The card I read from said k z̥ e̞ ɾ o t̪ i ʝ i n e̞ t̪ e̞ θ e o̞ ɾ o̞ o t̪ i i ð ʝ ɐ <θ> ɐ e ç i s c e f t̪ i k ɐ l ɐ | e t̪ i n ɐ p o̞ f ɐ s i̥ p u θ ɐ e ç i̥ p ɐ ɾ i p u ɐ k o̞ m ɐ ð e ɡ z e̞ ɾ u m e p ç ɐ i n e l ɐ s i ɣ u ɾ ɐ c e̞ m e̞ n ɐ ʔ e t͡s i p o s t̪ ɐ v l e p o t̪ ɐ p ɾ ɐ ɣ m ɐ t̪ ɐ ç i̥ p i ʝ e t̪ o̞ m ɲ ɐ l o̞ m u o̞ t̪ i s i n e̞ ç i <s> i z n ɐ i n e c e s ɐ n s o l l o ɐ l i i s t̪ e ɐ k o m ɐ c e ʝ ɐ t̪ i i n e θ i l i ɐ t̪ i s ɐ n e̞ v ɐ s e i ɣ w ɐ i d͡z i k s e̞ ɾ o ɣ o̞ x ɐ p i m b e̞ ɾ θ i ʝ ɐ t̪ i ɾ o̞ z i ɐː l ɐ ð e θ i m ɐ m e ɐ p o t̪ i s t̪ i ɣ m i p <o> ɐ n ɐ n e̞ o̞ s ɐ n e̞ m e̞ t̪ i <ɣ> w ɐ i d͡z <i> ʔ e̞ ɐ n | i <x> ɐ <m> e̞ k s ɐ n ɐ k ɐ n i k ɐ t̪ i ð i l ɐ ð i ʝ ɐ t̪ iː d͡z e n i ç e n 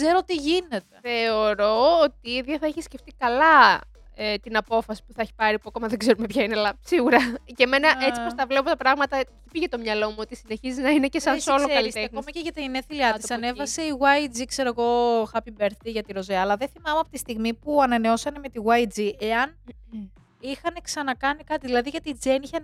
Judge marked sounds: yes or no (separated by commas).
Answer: yes, no, no, yes, yes, yes, no